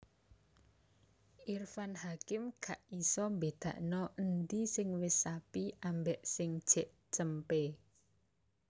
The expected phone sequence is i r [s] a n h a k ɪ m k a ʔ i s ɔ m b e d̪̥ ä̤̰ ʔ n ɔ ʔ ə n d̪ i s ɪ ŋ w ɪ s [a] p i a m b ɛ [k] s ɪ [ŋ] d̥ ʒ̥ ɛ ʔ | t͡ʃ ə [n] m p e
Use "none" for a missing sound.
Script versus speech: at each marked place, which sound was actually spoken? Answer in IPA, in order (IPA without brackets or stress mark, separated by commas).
f, a, ʔ, ŋ, none